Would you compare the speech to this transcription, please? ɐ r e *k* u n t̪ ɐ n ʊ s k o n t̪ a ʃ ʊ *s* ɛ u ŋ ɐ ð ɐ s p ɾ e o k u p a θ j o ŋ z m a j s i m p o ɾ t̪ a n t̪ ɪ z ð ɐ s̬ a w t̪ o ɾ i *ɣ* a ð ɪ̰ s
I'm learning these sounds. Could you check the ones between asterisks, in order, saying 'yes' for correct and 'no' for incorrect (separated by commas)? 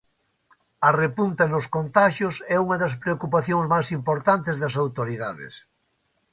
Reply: no, yes, no